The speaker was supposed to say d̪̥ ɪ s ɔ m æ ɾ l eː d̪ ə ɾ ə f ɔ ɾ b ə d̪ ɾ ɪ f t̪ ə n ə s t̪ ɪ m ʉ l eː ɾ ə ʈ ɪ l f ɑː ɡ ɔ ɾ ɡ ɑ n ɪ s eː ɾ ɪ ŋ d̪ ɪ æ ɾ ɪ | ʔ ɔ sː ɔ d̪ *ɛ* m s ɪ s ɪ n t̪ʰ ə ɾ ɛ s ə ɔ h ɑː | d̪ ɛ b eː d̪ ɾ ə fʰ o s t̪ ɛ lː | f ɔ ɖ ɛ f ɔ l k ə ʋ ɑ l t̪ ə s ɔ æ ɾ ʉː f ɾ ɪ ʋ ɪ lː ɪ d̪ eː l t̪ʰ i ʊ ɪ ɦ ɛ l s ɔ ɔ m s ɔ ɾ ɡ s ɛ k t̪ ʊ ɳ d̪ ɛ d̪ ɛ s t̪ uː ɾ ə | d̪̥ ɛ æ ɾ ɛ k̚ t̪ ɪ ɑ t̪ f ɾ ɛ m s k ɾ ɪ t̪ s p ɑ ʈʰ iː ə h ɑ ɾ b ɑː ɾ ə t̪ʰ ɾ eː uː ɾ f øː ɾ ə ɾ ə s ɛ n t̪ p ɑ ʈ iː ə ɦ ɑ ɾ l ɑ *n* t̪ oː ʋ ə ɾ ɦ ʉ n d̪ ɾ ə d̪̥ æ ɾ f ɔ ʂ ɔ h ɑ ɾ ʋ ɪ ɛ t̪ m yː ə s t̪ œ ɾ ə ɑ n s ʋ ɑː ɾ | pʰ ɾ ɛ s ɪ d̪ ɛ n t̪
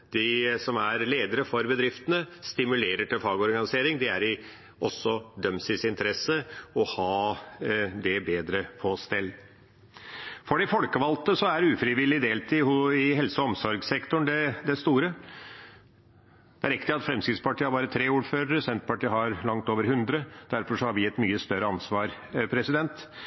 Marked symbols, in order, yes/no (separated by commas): no, no